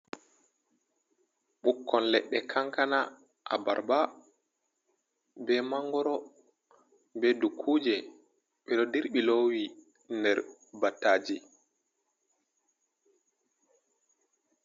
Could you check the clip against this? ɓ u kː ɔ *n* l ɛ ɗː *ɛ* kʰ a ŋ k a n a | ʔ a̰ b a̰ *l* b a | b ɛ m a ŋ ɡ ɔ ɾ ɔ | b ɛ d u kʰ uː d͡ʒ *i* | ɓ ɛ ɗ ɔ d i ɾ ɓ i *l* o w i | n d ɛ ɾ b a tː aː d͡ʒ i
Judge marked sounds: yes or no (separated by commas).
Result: yes, yes, no, no, yes